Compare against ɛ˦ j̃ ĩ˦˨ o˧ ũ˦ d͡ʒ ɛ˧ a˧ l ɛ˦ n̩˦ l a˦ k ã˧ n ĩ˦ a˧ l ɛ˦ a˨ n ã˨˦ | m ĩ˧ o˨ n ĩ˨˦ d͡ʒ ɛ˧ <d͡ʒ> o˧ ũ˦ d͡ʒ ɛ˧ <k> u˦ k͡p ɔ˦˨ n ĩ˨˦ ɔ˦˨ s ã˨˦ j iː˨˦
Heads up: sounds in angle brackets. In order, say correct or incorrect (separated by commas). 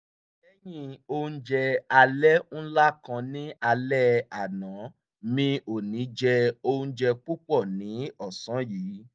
incorrect, incorrect